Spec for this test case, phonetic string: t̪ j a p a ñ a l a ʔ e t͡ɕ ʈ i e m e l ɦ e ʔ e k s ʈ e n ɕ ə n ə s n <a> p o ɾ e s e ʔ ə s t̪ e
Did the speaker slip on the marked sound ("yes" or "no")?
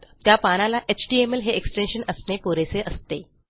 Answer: yes